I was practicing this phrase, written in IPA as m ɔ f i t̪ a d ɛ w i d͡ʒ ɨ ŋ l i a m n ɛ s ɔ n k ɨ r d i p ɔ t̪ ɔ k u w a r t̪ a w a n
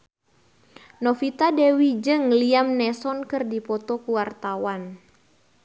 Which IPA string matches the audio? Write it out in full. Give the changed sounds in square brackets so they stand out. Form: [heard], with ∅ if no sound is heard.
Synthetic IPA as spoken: [n] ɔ f i t̪ a d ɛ w i d͡ʒ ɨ ŋ l i a m n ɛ s ɔ n k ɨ r d i p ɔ t̪ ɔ k u w a r t̪ a w a n

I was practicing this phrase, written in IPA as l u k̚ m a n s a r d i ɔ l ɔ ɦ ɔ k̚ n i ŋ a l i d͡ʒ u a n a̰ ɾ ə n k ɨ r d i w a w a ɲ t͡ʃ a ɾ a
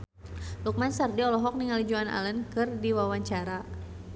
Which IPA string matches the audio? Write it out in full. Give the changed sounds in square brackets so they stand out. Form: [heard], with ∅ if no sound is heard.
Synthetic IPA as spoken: l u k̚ m a n s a r d i ɔ l ɔ ɦ ɔ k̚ n i ŋ a l i d͡ʒ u a n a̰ [l] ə n k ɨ r d i w a w a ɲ t͡ʃ a ɾ a

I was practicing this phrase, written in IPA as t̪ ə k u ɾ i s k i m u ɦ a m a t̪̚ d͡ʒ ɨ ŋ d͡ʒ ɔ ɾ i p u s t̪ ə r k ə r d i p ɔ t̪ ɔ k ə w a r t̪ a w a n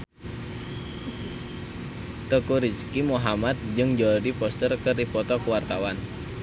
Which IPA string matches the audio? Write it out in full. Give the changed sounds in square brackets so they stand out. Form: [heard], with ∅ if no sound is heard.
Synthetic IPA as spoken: t̪ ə k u ɾ i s k i m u ɦ a m a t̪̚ d͡ʒ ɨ ŋ d͡ʒ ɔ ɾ i p [ɔ] s t̪ ə r k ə r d i p ɔ t̪ ɔ k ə w a r t̪ a w a n

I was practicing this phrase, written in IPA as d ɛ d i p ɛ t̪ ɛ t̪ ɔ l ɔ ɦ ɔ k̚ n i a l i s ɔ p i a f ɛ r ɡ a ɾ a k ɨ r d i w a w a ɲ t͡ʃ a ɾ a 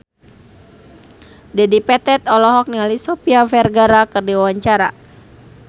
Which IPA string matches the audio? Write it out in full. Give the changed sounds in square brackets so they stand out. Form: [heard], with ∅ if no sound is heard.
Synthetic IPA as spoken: d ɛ d i p ɛ t̪ ɛ t̪ ɔ l ɔ ɦ ɔ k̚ n i a l i s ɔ p i a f ɛ r ɡ a ɾ a k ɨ r d i w a w a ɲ t͡ʃ a ɾ a

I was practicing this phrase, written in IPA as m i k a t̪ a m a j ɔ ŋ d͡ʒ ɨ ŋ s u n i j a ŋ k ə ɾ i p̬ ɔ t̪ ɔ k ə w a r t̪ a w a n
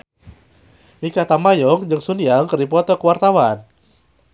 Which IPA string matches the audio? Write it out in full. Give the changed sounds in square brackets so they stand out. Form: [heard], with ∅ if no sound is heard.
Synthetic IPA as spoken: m i k a t̪ a m a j ɔ ŋ d͡ʒ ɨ ŋ s u n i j a ŋ k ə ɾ i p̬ ɔ t̪ ɔ k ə w a r t̪ a w a n

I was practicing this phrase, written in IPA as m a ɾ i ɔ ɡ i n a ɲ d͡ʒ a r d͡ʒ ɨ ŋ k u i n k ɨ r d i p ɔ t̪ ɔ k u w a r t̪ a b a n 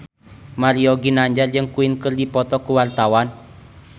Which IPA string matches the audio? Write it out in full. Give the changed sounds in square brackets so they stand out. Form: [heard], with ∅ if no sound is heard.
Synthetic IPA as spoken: m a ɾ i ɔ ɡ i n a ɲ d͡ʒ a r d͡ʒ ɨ ŋ k u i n k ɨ r d i p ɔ t̪ ɔ k u w a r t̪ a [w] a n

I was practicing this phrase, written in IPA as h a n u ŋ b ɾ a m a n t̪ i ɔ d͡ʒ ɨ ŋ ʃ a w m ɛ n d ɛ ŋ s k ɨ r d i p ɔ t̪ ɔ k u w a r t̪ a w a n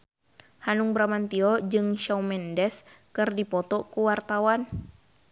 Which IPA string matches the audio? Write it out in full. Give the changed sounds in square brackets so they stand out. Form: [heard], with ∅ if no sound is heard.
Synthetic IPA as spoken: h a n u ŋ b ɾ a m a n t̪ i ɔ d͡ʒ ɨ ŋ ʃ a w m ɛ n d ɛ [∅] s k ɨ r d i p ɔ t̪ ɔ k u w a r t̪ a w a n

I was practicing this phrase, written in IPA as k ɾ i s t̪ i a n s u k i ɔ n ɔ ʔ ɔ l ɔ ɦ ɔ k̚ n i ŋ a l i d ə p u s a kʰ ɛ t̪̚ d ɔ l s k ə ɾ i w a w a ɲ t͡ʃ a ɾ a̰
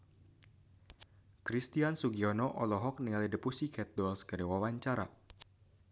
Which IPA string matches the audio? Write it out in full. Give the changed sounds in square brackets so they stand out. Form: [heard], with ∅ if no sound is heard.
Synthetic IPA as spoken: k ɾ i s t̪ i a n s u [ɡ] i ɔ n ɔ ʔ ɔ l ɔ ɦ ɔ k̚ n i ŋ a l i d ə p u s [i] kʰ ɛ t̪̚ d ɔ l s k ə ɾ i w a w a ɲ t͡ʃ a ɾ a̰

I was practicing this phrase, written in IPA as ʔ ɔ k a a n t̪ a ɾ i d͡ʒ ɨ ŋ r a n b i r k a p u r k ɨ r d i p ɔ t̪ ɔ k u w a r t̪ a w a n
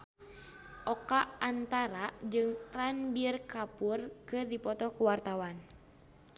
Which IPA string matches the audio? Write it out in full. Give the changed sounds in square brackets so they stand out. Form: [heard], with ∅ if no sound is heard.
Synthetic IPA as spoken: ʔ ɔ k a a n t̪ a ɾ [a] d͡ʒ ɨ ŋ r a n b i r k a p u r k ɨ r d i p ɔ t̪ ɔ k u w a r t̪ a w a n

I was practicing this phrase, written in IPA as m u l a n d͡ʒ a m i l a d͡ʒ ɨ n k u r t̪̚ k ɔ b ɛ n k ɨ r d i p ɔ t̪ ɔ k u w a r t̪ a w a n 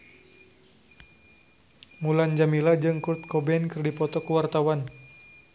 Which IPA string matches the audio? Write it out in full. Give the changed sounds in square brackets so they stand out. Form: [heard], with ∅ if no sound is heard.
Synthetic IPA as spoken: m u l a n d͡ʒ a m i l a d͡ʒ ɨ [ŋ] k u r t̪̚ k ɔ b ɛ n k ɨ r d i p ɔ t̪ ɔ k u w a r t̪ a w a n

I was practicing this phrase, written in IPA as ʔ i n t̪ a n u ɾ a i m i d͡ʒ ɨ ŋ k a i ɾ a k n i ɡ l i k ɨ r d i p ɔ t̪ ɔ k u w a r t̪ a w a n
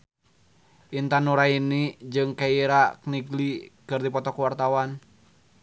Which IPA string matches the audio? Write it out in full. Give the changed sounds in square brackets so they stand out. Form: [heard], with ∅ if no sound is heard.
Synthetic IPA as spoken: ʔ i n t̪ a n u ɾ a i [n] i d͡ʒ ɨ ŋ k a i ɾ a k n i ɡ l i k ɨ r d i p ɔ t̪ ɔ k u w a r t̪ a w a n

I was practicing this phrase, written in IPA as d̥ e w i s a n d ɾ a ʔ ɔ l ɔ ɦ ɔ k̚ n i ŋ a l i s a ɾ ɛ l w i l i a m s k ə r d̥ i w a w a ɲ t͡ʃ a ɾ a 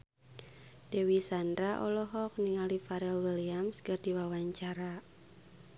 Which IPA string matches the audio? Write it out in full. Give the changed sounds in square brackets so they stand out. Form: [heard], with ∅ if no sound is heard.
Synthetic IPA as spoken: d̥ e w i s a n d ɾ a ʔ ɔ l ɔ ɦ ɔ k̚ n i ŋ a l i [f] a ɾ ɛ l w i l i a m s k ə r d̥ i w a w a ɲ t͡ʃ a ɾ a

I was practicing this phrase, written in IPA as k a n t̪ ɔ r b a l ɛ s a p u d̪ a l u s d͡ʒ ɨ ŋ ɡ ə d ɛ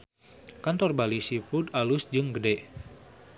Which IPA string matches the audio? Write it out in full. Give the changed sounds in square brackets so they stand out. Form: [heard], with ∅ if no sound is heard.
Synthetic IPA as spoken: k a n t̪ ɔ r b a l [i] s [i] p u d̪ a l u s d͡ʒ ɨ ŋ ɡ ə d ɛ

